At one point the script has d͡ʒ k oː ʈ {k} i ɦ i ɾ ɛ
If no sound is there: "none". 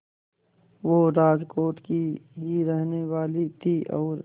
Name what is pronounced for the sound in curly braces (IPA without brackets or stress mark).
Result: k